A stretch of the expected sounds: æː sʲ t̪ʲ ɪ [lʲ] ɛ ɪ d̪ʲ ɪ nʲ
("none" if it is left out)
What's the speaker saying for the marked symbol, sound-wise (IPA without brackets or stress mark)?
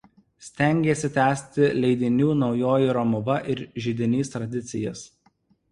lʲ